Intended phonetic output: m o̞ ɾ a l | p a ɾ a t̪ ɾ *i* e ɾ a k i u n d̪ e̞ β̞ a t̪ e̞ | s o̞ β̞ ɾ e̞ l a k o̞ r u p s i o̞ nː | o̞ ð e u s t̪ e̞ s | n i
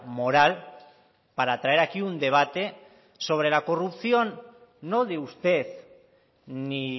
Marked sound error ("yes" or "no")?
yes